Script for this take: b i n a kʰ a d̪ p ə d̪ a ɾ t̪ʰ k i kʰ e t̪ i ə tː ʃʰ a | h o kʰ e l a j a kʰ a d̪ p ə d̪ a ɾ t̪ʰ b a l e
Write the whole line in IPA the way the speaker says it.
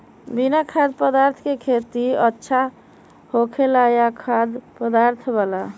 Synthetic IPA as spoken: b i n a kʰ a d̪ p ə d̪ a ɾ t̪ʰ k e kʰ e t̪ i ə tː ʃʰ a | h o kʰ e l a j a kʰ a d̪ p ə d̪ a ɾ t̪ʰ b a l a